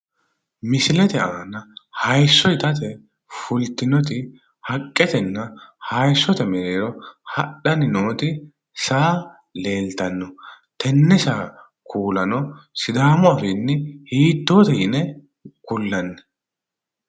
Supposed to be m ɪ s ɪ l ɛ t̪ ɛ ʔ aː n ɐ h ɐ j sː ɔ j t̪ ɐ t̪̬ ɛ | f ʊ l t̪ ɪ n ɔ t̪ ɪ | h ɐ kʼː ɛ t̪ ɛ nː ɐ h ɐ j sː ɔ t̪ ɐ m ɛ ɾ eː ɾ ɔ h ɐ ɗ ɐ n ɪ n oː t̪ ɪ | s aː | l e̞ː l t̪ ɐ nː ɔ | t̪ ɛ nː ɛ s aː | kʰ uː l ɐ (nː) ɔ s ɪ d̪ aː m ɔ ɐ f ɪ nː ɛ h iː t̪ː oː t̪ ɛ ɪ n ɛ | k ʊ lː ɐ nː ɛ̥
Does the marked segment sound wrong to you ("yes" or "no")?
yes